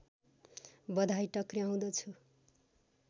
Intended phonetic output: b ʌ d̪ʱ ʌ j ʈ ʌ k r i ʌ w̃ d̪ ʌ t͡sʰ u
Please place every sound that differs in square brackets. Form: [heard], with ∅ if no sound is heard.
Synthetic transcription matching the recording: b ʌ d̪ʱ [a] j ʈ ʌ k r i [a] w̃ d̪ ʌ t͡sʰ u